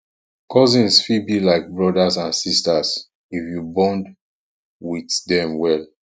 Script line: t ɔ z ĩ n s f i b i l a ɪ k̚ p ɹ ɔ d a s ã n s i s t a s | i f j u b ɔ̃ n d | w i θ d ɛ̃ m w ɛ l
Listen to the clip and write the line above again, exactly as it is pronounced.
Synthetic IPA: k ɔ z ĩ n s f i b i l a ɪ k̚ b ɹ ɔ d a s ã n s i s t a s | i f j u b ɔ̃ n d | w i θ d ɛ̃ m w ɛ l